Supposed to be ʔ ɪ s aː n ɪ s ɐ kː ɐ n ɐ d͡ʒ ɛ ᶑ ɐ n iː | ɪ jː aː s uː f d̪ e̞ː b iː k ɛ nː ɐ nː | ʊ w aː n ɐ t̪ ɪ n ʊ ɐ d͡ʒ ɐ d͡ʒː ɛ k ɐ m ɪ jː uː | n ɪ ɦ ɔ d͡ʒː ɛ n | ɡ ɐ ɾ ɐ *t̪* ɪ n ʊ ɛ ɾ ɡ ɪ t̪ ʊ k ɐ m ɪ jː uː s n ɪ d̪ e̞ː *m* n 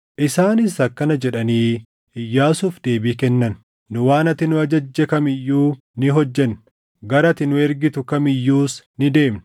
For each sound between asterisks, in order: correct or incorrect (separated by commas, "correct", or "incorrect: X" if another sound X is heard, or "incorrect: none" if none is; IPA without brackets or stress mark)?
correct, correct